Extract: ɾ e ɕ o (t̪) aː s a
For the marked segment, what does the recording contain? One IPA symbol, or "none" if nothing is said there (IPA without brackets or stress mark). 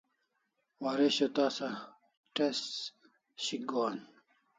t̪